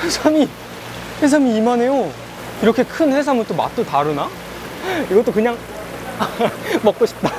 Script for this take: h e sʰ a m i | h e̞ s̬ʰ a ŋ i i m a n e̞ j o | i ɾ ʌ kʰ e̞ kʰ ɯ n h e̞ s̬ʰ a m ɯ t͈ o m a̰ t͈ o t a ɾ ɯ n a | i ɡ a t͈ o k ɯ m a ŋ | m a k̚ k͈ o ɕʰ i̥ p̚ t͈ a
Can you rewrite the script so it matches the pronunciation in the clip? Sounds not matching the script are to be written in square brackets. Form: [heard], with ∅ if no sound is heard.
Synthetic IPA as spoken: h e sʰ a m i | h e̞ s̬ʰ a [m] i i m a n e̞ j o | i ɾ ʌ kʰ e̞ kʰ ɯ n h e̞ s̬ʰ a m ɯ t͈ o m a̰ t͈ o t a ɾ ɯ n a | i ɡ [ʌ] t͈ o k ɯ [ɲ] a ŋ | m [ʌ] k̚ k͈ o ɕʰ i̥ p̚ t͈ a